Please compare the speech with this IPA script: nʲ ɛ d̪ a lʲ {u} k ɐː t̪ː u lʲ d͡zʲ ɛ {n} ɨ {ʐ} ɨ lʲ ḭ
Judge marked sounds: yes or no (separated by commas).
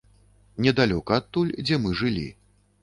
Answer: no, no, yes